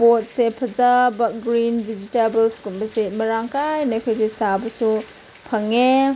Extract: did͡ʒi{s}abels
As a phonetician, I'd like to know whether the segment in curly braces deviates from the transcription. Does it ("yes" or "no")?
yes